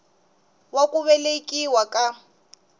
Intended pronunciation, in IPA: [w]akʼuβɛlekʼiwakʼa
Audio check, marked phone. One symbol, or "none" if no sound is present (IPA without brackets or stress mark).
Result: w